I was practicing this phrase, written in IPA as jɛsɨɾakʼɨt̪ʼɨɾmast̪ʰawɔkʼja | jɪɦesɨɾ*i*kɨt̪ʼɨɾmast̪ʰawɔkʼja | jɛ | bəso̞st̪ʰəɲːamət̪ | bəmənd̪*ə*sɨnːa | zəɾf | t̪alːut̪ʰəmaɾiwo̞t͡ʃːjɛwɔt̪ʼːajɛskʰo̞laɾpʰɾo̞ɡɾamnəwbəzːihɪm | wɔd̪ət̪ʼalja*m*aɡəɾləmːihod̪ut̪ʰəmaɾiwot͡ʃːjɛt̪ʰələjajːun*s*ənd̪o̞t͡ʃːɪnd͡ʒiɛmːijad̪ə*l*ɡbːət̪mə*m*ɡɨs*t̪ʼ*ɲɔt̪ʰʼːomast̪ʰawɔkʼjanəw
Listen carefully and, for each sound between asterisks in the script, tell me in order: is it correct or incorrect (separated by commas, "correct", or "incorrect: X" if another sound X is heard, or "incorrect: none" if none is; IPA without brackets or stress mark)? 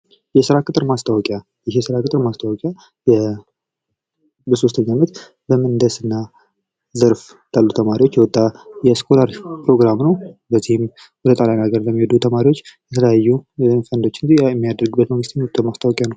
incorrect: a, correct, incorrect: n, incorrect: f, incorrect: ɾ, incorrect: ŋ, incorrect: t̪